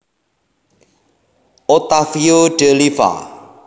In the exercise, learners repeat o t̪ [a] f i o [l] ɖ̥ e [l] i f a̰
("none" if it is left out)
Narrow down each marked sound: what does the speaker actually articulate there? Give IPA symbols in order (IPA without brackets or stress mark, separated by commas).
a, none, l